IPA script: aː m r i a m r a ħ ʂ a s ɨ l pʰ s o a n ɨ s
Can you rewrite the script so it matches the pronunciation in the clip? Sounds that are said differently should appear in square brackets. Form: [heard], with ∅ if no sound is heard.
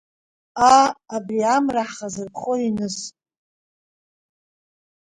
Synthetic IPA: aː [b] r i a m r a ħ [χ] a [z] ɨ [r] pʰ [χ] o [i] n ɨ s